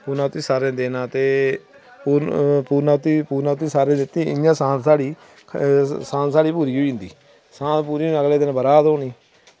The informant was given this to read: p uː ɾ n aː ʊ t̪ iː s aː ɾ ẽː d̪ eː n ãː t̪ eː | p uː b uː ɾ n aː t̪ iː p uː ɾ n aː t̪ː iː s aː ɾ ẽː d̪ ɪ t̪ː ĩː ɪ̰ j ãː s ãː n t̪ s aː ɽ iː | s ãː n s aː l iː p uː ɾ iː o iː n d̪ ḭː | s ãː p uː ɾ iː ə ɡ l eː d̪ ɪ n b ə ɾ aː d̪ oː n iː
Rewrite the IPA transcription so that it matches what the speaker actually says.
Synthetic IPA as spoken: p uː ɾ n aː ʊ t̪ iː s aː ɾ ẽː d̪ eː n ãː t̪ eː | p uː p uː ɾ n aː t̪ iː p uː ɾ n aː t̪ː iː s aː ɾ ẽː d̪ ɪ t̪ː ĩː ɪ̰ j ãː s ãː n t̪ s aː ɽ iː | s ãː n s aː ɽ iː p uː ɾ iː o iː n d̪ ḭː | s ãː p uː ɾ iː ə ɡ l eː d̪ ɪ n b ə ɾ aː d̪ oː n iː

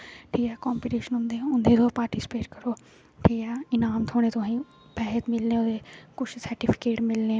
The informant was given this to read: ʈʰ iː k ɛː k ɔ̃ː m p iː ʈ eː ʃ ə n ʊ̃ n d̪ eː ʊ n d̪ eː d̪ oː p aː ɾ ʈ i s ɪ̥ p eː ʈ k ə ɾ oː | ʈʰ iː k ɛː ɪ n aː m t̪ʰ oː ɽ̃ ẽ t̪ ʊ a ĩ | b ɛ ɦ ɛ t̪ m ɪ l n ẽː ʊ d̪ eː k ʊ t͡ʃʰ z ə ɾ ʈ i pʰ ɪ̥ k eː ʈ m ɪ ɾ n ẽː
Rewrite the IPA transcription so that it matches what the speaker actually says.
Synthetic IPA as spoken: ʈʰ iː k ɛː k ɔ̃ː m p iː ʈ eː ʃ ə n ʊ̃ n d̪ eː ʊ n d̪ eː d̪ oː p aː ɾ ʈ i s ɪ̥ p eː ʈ k ə ɾ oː | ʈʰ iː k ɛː ɪ n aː m t̪ʰ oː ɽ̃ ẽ t̪ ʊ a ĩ | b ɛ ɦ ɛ t̪ m ɪ l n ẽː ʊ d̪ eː k ʊ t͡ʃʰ s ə ɾ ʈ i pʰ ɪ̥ k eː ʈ m ɪ l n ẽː

